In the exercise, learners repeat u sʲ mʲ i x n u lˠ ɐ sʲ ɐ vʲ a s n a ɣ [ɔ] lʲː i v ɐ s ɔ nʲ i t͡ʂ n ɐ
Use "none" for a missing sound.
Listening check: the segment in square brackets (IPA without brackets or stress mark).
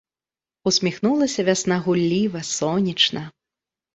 u